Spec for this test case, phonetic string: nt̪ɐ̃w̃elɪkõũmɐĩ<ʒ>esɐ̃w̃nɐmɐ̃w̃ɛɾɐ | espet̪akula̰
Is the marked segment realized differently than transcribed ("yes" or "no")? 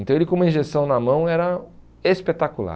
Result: no